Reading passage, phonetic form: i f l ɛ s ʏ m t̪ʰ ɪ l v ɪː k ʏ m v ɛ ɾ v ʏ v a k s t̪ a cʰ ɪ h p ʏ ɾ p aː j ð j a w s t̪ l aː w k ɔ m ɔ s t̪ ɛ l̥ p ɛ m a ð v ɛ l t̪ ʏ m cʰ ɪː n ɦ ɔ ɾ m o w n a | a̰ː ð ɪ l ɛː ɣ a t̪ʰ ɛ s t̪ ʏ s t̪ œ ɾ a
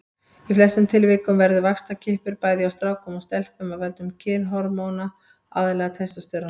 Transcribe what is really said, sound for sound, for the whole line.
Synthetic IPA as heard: i f l ɛ s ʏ m t̪ʰ ɪ l v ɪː k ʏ m v ɛ ɾ ð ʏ v a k s t̪ a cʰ ɪ h p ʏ ɾ p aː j ð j a w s t̪ ɾ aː w k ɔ m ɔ s t̪ ɛ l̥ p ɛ m a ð v ɛ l t̪ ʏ m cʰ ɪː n ɦ ɔ ɾ m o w n a | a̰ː ð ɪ l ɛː ɣ a t̪ʰ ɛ s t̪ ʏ s t̪ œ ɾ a